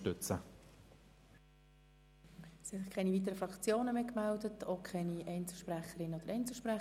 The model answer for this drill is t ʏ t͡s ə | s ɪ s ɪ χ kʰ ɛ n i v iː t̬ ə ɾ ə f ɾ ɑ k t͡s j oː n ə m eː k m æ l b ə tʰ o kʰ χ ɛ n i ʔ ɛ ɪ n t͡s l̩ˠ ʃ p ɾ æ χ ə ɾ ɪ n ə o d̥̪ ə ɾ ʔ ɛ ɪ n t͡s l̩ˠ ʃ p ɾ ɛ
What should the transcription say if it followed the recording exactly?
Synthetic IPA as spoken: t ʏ t͡s ə | s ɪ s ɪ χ kʰ ɛ n i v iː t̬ ə ɾ ə f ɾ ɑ k t͡s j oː n ə m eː k m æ l d ə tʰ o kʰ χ ɛ n i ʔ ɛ ɪ n t͡s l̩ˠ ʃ p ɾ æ χ ə ɾ ɪ n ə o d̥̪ ə ɾ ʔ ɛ ɪ n t͡s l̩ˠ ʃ p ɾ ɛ